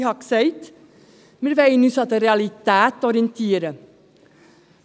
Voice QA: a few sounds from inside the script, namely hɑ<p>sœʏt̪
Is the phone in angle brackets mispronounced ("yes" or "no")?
yes